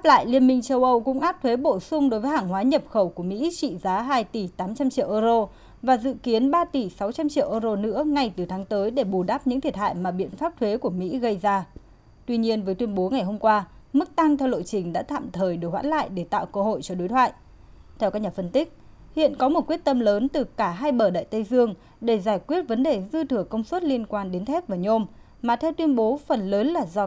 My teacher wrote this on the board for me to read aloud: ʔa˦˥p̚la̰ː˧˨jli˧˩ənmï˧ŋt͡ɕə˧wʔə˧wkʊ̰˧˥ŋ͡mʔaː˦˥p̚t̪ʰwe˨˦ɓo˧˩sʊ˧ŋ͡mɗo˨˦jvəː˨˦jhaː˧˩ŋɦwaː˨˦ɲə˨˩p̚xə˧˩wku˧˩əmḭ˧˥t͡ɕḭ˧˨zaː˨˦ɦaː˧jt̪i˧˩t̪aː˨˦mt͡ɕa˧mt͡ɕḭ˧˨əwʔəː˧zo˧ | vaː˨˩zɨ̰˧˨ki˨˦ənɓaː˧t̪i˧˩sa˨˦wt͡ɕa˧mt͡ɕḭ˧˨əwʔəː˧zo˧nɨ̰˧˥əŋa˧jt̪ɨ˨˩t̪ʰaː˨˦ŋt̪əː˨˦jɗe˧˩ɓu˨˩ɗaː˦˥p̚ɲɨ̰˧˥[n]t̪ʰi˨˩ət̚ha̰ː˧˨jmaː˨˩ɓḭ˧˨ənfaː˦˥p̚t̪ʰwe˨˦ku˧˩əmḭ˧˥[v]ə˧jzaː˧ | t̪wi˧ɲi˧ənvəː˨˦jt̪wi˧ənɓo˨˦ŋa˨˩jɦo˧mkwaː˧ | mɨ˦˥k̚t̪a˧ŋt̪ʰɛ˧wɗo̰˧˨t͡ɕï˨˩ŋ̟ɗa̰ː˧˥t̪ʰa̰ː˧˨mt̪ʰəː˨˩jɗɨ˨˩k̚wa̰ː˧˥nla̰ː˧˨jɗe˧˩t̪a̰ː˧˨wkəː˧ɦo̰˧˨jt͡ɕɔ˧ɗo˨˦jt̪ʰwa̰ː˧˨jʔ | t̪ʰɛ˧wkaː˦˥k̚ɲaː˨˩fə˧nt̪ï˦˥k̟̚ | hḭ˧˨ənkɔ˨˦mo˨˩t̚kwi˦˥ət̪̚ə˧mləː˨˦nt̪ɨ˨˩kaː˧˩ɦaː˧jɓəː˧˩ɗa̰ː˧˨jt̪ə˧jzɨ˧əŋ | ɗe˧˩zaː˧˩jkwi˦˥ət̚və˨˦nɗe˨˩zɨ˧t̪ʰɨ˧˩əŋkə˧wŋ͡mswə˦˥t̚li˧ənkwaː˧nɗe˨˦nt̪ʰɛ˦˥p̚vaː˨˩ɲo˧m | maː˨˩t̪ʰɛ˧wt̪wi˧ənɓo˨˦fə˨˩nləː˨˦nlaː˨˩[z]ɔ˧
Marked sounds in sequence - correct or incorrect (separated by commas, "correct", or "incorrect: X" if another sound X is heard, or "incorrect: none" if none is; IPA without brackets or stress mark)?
incorrect: ŋ, incorrect: ɣ, correct